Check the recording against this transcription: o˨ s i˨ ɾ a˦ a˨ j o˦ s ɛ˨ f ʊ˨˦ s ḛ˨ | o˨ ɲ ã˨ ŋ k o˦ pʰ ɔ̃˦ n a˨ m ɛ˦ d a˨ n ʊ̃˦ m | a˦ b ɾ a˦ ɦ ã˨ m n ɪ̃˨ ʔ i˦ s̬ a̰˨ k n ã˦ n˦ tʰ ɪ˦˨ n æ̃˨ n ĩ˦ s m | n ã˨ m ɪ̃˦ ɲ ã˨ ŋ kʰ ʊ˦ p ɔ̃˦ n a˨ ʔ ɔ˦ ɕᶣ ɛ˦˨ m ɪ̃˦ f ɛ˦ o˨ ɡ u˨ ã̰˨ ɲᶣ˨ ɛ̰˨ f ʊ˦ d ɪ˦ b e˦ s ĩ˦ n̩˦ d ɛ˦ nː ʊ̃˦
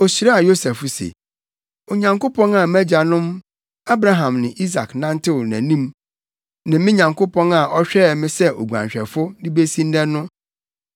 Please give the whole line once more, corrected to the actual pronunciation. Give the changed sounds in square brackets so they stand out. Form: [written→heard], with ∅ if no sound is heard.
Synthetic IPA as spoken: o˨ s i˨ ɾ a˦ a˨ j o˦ s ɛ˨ f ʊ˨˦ s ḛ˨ | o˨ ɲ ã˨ ŋ k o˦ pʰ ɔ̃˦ n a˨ m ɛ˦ [d→d͡ʑ] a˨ n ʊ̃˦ m | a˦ b ɾ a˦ ɦ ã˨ m n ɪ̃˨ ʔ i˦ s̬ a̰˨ k n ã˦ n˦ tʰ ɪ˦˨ n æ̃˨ n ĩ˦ [s→∅] m | n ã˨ m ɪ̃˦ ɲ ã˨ ŋ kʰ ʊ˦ p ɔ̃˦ n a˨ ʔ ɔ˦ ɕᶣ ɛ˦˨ m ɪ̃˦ [f→s] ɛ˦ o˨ ɡ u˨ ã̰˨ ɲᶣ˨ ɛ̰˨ f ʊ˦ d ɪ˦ b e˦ s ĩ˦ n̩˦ d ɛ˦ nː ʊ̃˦